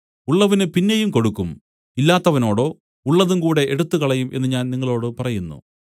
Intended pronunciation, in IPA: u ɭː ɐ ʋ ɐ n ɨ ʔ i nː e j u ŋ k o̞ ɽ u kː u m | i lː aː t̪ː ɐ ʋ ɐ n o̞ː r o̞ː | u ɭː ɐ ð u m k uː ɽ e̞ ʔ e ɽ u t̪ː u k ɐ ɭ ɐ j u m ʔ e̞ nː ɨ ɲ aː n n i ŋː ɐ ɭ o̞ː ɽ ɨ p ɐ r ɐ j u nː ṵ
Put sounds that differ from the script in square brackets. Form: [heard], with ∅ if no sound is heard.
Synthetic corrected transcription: u ɭː ɐ ʋ ɐ n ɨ [p] i nː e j u [m] k o̞ ɽ u kː u m | i lː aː t̪ː ɐ ʋ ɐ n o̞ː [ɽ] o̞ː | u ɭː ɐ ð u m k uː ɽ e̞ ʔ e ɽ u t̪ː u k ɐ ɭ ɐ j u m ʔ e̞ nː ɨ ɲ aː n n i ŋː ɐ ɭ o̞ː ɽ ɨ p ɐ r ɐ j u nː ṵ